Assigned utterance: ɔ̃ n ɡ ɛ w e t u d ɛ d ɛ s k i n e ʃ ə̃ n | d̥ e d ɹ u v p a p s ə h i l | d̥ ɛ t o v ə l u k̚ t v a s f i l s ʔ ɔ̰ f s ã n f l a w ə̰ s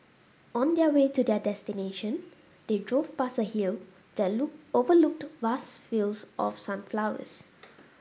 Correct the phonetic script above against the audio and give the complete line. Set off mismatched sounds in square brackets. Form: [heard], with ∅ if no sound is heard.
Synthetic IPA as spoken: ɔ̃ n [d] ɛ w e t u d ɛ d ɛ s [t] i n e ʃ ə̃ n | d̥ e d ɹ [o] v p a [∅] s ə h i l | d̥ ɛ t o v ə l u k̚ t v a s f i l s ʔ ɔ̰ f s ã n f l a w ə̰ s